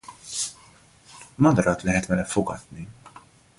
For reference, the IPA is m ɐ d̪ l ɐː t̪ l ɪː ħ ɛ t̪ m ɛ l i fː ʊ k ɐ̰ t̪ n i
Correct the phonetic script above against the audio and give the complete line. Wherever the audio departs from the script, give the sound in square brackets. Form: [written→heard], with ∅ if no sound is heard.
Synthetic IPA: m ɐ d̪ [l→ɾ] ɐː t̪ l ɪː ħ ɛ t̪ m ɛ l [i→ɛ] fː ʊ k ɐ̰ t̪ n i